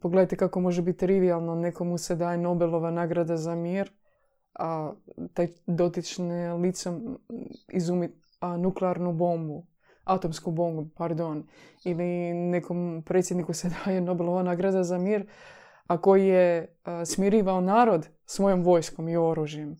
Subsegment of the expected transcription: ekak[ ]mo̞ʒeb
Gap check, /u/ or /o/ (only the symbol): o